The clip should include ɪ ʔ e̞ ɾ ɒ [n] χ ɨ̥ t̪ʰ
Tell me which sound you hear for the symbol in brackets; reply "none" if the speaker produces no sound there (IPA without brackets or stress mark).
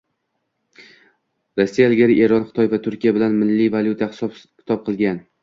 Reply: n